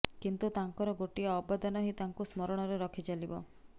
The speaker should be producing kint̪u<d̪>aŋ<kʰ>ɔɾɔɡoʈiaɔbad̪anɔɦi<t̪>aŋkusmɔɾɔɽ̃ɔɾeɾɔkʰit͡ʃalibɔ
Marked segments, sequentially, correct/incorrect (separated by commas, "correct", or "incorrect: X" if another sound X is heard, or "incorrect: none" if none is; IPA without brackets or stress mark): incorrect: t̪, incorrect: k, correct